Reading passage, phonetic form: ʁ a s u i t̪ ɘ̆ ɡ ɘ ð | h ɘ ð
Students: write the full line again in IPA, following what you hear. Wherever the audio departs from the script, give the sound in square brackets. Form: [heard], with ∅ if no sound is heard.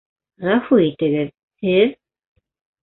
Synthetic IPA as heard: ʁ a [f] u i t̪ ɘ̆ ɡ ɘ ð | h ɘ ð